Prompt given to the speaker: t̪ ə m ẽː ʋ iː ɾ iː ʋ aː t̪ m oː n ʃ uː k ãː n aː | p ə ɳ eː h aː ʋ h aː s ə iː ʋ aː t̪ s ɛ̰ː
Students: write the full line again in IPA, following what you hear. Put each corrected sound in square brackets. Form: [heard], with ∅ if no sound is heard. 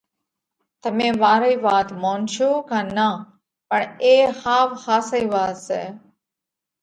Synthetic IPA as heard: t̪ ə m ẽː ʋ [aː] ɾ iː ʋ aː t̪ m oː n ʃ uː k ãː n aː | p ə ɳ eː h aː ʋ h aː s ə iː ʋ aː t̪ s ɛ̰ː

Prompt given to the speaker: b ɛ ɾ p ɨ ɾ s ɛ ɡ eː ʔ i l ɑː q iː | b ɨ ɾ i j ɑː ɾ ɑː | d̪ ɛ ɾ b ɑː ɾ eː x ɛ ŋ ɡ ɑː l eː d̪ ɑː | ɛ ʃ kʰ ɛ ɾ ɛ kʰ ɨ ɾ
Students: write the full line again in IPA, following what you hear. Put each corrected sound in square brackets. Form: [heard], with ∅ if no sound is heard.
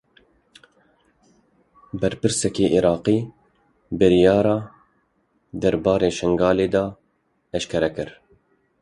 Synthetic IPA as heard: b ɛ ɾ p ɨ ɾ s ɛ [k] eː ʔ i [ɾ] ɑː q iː | b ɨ ɾ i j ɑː ɾ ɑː | d̪ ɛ ɾ b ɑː ɾ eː [ʃ] ɛ ŋ ɡ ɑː l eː d̪ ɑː | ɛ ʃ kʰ ɛ ɾ ɛ [k] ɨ ɾ

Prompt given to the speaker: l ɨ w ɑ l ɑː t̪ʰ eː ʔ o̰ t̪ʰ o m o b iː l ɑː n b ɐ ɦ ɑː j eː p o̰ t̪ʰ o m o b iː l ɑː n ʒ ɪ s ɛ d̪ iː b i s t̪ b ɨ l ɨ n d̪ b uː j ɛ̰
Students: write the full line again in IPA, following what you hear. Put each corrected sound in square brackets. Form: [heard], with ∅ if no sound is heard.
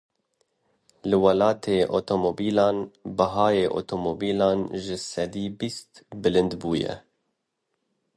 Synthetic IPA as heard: l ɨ w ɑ l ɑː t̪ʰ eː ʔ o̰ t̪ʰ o m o b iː l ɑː n b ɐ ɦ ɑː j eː [ʔ] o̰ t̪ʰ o m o b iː l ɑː n ʒ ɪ s ɛ d̪ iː b i s t̪ b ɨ l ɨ n d̪ b uː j ɛ̰

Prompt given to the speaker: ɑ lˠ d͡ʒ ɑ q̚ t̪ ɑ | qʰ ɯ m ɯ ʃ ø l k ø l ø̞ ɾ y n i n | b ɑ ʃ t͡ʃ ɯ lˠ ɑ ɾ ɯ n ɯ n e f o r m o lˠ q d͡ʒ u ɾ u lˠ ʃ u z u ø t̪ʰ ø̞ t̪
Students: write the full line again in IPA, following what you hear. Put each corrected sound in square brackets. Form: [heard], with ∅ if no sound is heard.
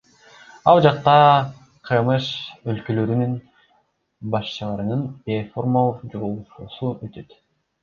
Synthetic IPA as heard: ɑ lˠ d͡ʒ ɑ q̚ t̪ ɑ | qʰ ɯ m ɯ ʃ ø l k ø l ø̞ ɾ y n [y] n | b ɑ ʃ t͡ʃ ɯ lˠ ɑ ɾ ɯ n ɯ n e f o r m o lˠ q d͡ʒ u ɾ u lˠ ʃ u [s] u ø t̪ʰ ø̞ t̪

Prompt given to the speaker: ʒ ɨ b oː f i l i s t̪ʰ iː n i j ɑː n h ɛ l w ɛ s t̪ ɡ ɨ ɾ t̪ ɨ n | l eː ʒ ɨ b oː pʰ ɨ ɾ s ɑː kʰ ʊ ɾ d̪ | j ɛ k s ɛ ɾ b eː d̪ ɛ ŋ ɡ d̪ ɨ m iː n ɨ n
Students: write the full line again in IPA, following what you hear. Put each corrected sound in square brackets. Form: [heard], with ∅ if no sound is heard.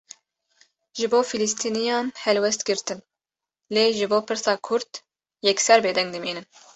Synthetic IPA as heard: ʒ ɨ b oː f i l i s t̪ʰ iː n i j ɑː n h ɛ l w ɛ s t̪ ɡ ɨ ɾ t̪ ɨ n | l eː ʒ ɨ b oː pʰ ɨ ɾ s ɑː kʰ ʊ ɾ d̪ | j ɛ k s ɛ ɾ b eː d̪ ɛ ŋ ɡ d̪ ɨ m iː n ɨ n

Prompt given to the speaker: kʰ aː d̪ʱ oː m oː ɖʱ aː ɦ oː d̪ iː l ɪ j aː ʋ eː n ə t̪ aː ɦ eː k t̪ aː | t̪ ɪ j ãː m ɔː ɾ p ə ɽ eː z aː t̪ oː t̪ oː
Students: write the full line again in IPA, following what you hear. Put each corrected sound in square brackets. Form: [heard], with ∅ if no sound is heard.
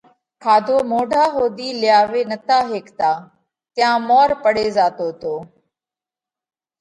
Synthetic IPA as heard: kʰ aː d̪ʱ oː m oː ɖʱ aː ɦ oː d̪ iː l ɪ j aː ʋ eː n ə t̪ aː ɦ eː k t̪ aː | t̪ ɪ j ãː m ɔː ɾ p ə ɽ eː z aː t̪ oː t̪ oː

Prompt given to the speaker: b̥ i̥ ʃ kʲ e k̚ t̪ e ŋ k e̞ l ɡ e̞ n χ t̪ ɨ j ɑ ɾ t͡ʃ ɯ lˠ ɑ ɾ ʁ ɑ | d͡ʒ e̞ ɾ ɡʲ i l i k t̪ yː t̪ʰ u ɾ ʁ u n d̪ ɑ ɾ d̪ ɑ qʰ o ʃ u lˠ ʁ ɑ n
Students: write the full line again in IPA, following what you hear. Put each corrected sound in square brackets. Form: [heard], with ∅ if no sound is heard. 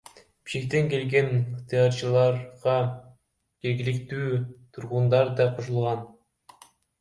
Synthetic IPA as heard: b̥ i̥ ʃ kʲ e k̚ t̪ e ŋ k e̞ l ɡ e̞ n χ t̪ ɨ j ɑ ɾ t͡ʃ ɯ lˠ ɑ ɾ ʁ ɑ | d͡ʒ e̞ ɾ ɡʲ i l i k t̪ yː t̪ʰ u ɾ ʁ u n d̪ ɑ ɾ d̪ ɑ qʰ o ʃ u lˠ ʁ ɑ n

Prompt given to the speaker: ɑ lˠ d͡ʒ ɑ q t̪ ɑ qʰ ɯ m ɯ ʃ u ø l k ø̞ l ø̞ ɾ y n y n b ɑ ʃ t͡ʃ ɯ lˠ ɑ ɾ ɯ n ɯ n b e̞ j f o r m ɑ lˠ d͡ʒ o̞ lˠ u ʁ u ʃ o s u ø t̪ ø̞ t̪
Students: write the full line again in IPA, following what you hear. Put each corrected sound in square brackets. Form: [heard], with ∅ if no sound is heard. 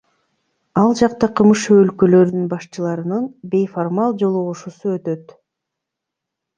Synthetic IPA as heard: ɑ lˠ d͡ʒ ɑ q t̪ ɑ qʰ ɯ m ɯ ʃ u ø l k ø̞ l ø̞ ɾ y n y n b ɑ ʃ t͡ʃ ɯ lˠ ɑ ɾ ɯ n ɯ n b e̞ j f o r m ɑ lˠ d͡ʒ o̞ lˠ u ʁ u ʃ [u] s u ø t̪ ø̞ t̪

